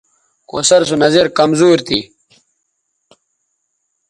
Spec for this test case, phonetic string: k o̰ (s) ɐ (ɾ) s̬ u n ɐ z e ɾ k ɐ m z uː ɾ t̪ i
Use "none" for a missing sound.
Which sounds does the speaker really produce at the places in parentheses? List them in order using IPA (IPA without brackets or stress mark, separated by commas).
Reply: s, ɾ